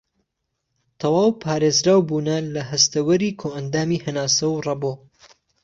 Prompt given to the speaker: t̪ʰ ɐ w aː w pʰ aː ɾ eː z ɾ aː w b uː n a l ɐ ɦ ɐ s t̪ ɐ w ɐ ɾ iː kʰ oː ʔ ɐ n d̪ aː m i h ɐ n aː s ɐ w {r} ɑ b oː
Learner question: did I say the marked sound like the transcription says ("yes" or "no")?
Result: yes